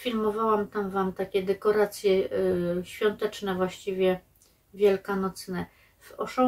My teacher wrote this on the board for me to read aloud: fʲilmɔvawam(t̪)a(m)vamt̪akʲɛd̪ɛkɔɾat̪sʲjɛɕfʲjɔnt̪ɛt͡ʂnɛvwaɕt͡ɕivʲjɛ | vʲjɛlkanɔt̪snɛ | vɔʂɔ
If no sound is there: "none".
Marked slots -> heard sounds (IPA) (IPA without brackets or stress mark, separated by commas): t̪, m